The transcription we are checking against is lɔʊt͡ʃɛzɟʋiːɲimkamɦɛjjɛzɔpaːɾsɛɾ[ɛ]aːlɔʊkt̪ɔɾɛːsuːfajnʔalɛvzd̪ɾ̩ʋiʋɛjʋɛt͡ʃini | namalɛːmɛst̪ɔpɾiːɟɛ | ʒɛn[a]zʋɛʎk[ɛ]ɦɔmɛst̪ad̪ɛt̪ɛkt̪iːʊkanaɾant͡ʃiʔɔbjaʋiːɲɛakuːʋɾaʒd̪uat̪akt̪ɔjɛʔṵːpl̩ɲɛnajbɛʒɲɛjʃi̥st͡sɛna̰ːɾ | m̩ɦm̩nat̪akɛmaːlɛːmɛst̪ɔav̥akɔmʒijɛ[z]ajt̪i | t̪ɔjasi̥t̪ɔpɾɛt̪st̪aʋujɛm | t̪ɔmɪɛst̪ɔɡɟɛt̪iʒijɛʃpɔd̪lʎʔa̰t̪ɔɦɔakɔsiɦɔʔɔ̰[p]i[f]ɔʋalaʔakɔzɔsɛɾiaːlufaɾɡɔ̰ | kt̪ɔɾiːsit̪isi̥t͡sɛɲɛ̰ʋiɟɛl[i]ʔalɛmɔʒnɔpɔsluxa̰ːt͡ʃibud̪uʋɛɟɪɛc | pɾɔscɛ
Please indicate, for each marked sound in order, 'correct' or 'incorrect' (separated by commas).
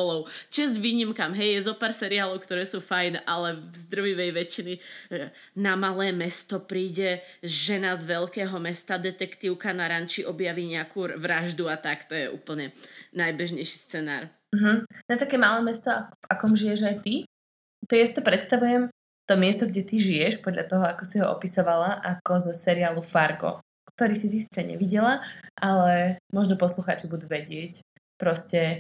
incorrect, correct, incorrect, incorrect, correct, incorrect, incorrect